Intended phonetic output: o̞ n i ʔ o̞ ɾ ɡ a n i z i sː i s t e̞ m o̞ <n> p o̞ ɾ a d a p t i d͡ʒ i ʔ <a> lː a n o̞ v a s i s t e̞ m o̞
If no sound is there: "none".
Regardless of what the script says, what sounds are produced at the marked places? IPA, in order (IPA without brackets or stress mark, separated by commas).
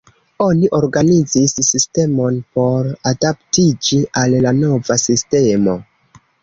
n, a